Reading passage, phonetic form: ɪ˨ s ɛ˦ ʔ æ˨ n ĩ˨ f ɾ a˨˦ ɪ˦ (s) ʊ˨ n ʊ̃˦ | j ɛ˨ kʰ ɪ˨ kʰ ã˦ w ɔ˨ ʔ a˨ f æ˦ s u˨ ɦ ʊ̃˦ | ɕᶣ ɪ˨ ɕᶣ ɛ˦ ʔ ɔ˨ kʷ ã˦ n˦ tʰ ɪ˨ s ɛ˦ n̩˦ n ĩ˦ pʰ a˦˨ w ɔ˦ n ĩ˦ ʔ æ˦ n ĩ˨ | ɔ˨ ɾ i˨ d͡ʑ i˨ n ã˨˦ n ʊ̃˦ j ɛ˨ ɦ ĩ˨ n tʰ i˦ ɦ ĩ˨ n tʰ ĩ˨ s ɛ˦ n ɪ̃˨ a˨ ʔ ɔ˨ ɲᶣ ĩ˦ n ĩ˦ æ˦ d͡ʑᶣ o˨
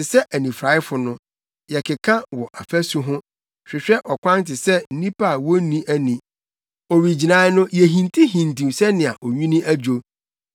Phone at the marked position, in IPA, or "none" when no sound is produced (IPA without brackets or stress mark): f